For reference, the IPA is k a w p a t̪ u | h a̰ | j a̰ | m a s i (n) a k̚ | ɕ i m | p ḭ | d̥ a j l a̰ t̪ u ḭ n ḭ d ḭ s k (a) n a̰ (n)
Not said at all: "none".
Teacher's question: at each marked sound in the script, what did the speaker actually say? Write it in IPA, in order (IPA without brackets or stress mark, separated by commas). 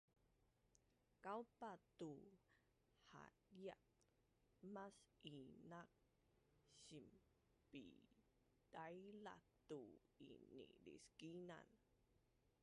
n, i, n